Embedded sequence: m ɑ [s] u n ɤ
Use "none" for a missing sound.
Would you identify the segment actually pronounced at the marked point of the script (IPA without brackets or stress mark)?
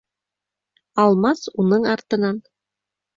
s